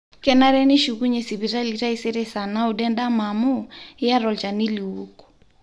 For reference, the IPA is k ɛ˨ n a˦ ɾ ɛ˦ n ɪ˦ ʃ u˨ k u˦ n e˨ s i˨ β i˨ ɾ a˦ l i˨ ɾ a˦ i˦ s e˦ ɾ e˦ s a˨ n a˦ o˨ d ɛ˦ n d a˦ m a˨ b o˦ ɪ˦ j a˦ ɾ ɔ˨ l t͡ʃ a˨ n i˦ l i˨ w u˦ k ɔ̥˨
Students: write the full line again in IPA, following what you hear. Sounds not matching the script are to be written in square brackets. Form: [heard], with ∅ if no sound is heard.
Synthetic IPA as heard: k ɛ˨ n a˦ ɾ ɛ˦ n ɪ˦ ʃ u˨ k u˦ [ɲ] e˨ s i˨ β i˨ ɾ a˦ l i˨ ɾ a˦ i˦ s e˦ ɾ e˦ s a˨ n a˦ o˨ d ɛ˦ n d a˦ m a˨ [m] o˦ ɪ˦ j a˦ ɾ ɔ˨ l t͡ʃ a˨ n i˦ l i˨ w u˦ k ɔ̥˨